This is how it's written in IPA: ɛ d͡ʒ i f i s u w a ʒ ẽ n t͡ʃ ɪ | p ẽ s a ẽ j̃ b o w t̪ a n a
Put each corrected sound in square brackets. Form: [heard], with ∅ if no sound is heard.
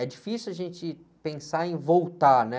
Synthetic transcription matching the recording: ɛ d͡ʒ i f i s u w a ʒ ẽ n t͡ʃ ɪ | p ẽ s a ẽ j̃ [v] o w t̪ a n [ɛ]